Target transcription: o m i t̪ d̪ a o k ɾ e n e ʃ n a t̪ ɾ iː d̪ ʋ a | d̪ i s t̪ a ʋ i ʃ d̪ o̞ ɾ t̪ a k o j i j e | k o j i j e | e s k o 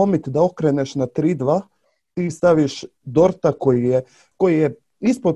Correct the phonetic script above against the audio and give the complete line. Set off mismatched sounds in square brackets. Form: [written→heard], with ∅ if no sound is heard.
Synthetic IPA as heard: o m i t̪ d̪ a o k ɾ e n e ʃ n a t̪ ɾ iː d̪ ʋ a | [d̪→t̪] i s t̪ a ʋ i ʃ d̪ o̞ ɾ t̪ a k o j i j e | k o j i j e | [e→i] s [k→p] o